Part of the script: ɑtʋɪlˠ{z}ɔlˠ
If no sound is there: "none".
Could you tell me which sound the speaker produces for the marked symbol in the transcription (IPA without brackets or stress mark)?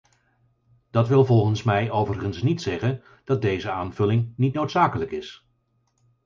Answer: v